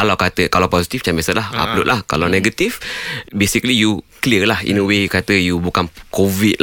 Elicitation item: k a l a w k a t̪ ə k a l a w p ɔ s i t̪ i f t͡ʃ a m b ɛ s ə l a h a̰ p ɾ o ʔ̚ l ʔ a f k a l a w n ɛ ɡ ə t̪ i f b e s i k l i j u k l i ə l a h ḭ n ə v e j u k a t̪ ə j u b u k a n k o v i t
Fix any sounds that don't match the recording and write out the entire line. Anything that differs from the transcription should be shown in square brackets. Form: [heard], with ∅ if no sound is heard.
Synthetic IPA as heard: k a l a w k a t̪ ə k a l a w p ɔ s i t̪ i f t͡ʃ a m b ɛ s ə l a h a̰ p [l] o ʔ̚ l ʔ a [h] k a l a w n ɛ ɡ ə t̪ i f b e s i k l i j u k l i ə l a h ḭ n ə [w] e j u k a t̪ ə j u b u k a n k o v i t